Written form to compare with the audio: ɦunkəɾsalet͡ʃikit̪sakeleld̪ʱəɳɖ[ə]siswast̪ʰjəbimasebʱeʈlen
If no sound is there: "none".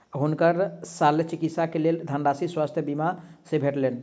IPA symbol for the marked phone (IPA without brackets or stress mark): a